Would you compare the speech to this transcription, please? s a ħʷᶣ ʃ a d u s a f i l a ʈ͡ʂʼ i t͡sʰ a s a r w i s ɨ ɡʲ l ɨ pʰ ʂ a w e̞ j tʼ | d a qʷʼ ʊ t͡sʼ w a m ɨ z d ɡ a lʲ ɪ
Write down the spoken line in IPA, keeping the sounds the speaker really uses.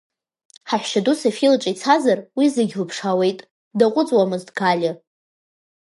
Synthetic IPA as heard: ħ a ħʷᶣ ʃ a d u s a f i l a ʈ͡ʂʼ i t͡sʰ a z a r w i z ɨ ɡʲ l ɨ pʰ ʂ a w e̞ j tʼ | d a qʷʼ ʊ t͡sʼ w a m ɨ z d ɡ a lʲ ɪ